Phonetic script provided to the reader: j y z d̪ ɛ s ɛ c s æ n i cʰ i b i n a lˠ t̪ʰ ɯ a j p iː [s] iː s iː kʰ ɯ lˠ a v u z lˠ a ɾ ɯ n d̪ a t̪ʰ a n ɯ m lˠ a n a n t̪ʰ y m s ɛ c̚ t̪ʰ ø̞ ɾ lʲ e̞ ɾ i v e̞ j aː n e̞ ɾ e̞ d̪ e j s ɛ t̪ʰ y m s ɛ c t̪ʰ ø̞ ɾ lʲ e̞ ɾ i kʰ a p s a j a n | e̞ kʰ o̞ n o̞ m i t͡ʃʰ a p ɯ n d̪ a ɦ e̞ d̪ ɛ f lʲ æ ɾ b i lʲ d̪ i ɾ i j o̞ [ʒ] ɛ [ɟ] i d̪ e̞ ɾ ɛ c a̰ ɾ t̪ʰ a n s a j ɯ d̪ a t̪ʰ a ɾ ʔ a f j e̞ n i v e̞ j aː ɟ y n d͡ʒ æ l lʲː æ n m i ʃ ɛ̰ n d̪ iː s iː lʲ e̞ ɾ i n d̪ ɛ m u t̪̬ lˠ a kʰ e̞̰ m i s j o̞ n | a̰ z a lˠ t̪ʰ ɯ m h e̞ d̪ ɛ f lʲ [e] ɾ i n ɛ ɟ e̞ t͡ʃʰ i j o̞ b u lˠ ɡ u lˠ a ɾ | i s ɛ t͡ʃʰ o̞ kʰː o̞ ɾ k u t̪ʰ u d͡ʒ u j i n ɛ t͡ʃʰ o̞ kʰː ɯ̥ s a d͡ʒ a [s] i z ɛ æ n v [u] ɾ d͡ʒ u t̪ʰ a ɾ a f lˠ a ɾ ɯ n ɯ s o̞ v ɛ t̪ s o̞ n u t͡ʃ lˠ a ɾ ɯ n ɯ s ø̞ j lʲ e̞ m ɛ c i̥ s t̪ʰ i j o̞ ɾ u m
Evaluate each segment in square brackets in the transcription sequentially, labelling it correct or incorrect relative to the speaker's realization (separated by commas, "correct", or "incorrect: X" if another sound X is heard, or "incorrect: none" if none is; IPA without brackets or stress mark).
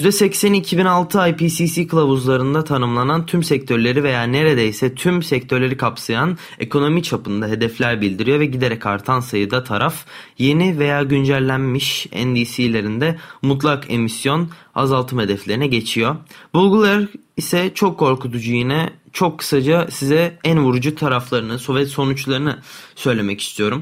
correct, incorrect: v, correct, correct, correct, correct